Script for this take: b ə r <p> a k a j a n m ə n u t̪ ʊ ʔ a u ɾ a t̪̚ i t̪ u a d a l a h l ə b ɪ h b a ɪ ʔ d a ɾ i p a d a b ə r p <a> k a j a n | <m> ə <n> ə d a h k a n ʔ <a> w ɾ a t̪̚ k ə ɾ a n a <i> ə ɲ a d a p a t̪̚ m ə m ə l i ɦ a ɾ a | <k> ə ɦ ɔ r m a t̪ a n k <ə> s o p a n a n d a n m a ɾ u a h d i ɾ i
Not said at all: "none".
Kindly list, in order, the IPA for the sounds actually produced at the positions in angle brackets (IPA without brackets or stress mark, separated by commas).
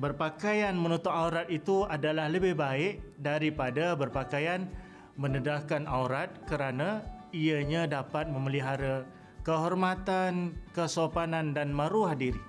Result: p, a, m, n, a, i, k, ə